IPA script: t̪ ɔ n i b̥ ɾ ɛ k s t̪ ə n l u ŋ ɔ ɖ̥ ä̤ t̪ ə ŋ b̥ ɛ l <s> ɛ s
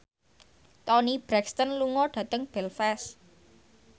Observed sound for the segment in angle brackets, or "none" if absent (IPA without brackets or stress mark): f